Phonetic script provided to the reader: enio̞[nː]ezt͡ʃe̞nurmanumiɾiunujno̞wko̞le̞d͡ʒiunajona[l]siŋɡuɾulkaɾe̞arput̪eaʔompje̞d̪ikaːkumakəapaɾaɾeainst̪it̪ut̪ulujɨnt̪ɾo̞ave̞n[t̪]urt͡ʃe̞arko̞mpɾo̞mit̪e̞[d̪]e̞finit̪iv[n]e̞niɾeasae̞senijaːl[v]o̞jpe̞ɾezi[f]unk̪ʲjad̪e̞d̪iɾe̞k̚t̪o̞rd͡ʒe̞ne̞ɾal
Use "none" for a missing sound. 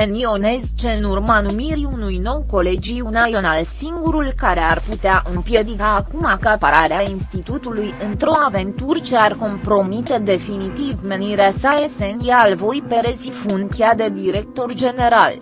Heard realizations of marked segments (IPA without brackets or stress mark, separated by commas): n, l, t̪, d̪, m, v, f